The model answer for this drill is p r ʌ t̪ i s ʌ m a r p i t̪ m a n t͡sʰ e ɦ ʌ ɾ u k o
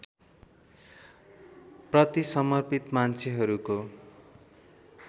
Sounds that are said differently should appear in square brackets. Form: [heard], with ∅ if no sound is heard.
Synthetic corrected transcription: p r ʌ t̪ i s ʌ m [ʌ] r p i t̪ m a n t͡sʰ e ɦ ʌ ɾ u k o